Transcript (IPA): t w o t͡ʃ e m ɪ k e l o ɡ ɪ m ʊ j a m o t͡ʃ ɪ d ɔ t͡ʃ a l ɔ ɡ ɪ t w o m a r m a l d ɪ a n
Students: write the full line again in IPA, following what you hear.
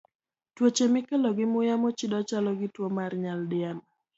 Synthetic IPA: t w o t͡ʃ e m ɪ k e l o ɡ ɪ m ʊ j a m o t͡ʃ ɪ d ɔ t͡ʃ a l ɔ ɡ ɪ t w o m a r ɲ a l d ɪ a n